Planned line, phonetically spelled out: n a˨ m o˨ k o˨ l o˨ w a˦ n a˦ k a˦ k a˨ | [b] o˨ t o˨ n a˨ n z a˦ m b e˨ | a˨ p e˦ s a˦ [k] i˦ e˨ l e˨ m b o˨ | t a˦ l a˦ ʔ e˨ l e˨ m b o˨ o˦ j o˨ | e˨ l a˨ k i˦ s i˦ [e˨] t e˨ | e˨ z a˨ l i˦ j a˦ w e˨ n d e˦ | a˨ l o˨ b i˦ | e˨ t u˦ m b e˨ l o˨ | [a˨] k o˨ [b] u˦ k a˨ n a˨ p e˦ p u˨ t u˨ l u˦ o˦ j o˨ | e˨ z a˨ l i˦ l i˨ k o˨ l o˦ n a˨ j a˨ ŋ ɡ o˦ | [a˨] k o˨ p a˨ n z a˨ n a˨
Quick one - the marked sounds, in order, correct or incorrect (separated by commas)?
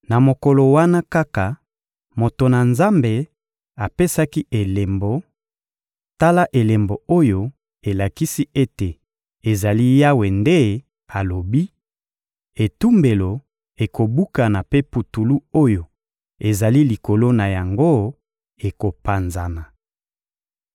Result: incorrect, correct, incorrect, incorrect, correct, incorrect